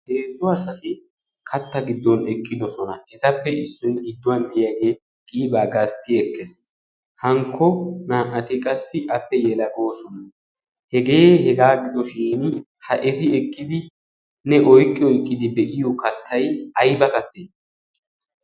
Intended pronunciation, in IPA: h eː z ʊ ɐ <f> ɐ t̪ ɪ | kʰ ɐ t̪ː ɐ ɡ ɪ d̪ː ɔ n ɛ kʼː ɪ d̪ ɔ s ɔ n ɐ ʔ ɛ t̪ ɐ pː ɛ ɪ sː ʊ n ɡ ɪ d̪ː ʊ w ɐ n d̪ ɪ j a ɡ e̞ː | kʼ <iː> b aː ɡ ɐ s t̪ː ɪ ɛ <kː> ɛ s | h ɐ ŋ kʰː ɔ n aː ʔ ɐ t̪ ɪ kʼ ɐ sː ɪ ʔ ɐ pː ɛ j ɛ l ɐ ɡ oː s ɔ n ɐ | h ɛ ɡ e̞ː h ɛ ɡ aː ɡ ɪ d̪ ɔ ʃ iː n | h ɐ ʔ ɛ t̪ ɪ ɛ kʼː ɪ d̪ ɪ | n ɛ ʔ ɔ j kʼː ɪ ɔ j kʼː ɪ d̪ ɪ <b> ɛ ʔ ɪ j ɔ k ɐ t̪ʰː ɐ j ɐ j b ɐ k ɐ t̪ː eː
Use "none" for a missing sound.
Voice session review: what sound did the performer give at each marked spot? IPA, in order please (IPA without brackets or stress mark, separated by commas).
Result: s, iː, kː, b